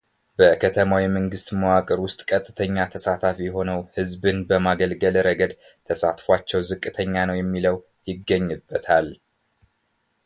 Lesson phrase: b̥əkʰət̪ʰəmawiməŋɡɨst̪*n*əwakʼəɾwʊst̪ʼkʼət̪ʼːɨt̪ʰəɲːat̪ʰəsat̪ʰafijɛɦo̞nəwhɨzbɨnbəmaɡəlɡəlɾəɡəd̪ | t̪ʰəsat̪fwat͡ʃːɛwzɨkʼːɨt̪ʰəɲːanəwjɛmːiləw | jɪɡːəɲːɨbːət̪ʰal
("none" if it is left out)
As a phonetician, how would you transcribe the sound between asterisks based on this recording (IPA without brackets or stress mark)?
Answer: m